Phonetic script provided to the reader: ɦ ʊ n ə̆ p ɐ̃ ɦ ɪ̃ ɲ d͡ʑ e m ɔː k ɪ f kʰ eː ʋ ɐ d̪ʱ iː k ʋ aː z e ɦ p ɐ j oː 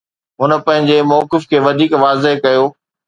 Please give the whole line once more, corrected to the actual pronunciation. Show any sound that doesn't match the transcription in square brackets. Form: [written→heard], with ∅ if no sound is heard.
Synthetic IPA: ɦ ʊ n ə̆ p ɐ̃ ɦ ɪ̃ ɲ d͡ʑ e m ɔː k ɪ f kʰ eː ʋ ɐ d̪ʱ iː k ʋ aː z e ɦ [p→k] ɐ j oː

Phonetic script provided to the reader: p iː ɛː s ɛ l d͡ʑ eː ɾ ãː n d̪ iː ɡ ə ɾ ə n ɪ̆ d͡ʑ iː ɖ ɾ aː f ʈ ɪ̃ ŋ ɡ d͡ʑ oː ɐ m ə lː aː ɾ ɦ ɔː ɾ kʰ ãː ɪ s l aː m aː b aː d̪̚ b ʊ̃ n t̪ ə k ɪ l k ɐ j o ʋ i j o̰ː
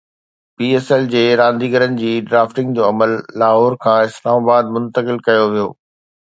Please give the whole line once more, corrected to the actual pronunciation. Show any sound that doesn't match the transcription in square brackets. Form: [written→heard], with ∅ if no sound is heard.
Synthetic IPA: p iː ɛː s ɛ l d͡ʑ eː ɾ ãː n d̪ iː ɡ ə ɾ ə n ɪ̆ d͡ʑ iː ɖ ɾ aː f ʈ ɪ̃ ŋ ɡ d͡ʑ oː ɐ m ə lː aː [ɾ→∅] ɦ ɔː ɾ kʰ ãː ɪ s l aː m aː b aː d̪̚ [b→m] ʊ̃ n t̪ ə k ɪ l k ɐ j o ʋ i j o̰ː

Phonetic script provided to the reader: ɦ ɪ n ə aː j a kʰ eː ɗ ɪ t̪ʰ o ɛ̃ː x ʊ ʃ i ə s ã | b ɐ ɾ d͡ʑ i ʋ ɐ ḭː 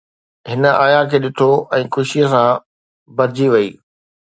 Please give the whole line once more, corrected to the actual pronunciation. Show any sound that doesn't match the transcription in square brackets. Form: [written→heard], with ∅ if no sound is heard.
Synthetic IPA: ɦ ɪ n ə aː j a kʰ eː ɗ ɪ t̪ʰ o ɛ̃ː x ʊ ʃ i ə s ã | b ɐ ɾ d͡ʑ i ʋ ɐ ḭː

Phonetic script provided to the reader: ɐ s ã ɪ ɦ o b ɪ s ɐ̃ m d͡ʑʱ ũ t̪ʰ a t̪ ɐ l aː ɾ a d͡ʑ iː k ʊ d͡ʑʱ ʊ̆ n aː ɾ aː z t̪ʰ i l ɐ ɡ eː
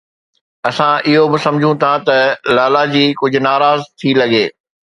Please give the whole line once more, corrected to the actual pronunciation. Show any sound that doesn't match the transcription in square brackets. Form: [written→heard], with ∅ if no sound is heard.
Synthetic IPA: ɐ s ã ɪ ɦ o b ɪ s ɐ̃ m d͡ʑʱ ũ t̪ʰ a t̪ ɐ l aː [ɾ→l] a d͡ʑ iː k ʊ d͡ʑʱ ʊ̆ n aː ɾ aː z t̪ʰ i l ɐ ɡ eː

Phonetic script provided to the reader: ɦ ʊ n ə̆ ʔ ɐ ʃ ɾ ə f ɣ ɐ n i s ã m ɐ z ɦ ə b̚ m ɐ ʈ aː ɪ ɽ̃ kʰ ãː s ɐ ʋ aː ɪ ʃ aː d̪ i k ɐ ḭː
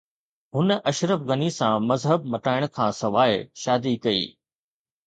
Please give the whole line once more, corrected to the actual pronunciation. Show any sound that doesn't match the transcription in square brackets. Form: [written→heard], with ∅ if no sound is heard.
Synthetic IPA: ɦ ʊ n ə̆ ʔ ɐ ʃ ɾ ə f ɣ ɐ n i s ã m ɐ z ɦ ə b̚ m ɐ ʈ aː ɪ ɽ̃ kʰ ãː s ɐ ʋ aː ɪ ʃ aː d̪ i k ɐ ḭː

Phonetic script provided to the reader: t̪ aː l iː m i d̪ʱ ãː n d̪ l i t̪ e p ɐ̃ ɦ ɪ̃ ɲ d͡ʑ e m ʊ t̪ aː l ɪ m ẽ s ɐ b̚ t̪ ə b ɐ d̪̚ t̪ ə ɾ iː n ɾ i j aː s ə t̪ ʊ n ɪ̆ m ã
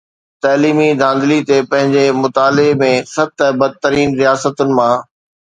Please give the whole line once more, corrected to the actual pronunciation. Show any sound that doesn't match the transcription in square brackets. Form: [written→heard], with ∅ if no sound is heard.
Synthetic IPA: t̪ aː l iː m i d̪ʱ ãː n d̪ l i t̪ e p ɐ̃ ɦ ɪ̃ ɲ d͡ʑ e m ʊ t̪ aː l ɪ m ẽ s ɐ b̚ t̪ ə b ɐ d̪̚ t̪ ə ɾ iː n ɾ i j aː s ə t̪ ʊ n ɪ̆ m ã

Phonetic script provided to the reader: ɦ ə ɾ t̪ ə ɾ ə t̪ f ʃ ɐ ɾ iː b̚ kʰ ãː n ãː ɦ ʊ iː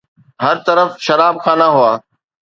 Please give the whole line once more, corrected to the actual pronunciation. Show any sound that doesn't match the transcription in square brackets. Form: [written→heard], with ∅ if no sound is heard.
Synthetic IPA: ɦ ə ɾ t̪ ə ɾ ə [t̪→∅] f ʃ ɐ ɾ [iː→aː] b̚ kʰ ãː n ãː ɦ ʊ [iː→aː]

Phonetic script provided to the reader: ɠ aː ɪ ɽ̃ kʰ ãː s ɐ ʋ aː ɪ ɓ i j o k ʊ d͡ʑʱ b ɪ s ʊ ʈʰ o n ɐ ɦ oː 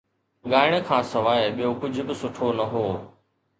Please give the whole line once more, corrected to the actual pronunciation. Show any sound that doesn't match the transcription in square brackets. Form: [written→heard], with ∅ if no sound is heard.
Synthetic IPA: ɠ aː ɪ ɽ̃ kʰ ãː s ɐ ʋ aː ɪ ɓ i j o k ʊ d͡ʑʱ b ɪ s ʊ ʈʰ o n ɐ ɦ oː

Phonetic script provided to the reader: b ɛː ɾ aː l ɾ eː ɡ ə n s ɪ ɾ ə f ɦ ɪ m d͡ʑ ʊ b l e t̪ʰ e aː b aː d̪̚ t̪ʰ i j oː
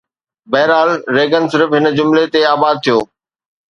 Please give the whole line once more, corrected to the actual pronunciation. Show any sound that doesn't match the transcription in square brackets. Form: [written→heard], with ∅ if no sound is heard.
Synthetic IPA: b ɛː ɾ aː l ɾ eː ɡ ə n s ɪ ɾ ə f ɦ ɪ [m→n] d͡ʑ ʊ [b→m] l e [t̪ʰ→t̪] e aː b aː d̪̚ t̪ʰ i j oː

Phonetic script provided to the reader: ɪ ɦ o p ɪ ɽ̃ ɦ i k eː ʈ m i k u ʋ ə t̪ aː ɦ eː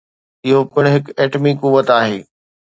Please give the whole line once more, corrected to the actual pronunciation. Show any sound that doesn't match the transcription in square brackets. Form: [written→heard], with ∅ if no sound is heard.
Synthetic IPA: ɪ ɦ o p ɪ ɽ̃ ɦ [i→ɪ] k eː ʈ m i k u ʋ ə t̪ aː ɦ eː

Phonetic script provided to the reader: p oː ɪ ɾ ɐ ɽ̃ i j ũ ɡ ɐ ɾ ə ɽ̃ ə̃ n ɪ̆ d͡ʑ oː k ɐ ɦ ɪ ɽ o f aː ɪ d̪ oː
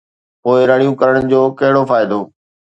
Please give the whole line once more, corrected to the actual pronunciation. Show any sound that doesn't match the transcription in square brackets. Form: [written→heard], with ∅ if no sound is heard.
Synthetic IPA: p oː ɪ ɾ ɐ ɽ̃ i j ũ [ɡ→k] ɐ ɾ ə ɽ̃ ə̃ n ɪ̆ d͡ʑ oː k ɐ ɦ ɪ ɽ o f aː ɪ d̪ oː

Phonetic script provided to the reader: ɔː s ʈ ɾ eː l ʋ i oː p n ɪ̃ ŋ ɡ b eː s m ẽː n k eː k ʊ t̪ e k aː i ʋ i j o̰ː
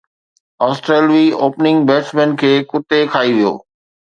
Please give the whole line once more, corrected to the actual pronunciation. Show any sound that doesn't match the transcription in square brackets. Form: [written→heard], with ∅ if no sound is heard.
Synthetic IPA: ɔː s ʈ ɾ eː l ʋ i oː p n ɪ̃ ŋ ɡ b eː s m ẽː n [k→kʰ] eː k ʊ t̪ e [k→kʰ] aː i ʋ i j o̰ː

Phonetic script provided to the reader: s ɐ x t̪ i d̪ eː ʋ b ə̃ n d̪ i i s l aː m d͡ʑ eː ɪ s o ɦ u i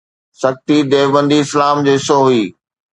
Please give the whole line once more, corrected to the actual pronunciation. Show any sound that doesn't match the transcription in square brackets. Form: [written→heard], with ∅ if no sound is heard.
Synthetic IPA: s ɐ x t̪ i d̪ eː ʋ b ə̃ n d̪ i [i→ɪ] s l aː m d͡ʑ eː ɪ s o ɦ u [i→iː]

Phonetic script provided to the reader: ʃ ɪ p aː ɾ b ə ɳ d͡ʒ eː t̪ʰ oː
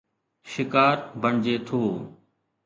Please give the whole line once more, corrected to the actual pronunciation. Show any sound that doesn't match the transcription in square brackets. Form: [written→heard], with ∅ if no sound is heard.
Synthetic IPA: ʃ ɪ [p→k] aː ɾ b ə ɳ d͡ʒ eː t̪ʰ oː

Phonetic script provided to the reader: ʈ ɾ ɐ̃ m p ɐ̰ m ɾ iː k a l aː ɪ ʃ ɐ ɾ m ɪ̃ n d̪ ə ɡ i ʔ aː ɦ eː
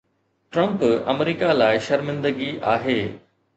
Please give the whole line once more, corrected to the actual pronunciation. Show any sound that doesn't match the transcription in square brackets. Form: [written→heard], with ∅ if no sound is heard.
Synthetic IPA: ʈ ɾ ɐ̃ m p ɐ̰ m ɾ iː k a l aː ɪ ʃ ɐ ɾ m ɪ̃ n d̪ ə ɡ i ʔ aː ɦ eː

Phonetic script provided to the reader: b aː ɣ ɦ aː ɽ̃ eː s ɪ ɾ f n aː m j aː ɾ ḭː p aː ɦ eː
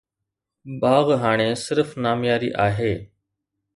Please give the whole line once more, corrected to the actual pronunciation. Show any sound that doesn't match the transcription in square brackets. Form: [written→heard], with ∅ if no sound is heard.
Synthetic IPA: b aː ɣ ɦ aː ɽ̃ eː s ɪ ɾ f n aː m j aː ɾ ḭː [p→ʔ] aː ɦ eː

